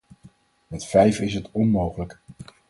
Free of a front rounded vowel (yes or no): yes